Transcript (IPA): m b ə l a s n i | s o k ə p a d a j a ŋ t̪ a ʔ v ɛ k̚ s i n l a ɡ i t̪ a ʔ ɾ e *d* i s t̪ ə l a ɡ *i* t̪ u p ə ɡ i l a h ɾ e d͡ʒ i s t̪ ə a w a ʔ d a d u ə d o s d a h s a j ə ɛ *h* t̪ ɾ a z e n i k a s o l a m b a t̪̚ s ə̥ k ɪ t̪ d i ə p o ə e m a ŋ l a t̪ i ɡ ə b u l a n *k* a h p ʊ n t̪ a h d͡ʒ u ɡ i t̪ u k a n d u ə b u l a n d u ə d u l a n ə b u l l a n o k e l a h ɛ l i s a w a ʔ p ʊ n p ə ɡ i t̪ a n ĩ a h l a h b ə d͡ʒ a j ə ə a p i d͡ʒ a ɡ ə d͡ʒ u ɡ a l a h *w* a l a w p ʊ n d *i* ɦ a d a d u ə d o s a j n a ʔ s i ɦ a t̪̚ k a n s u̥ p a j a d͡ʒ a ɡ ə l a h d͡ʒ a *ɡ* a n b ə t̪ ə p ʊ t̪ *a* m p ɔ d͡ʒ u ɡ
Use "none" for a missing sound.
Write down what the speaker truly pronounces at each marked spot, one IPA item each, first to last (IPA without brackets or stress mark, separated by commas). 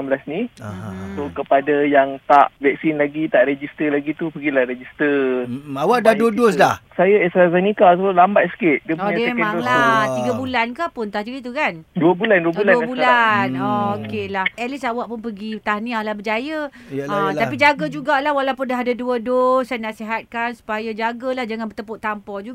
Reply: d͡ʒ, i, s, k, w, a, ŋ, a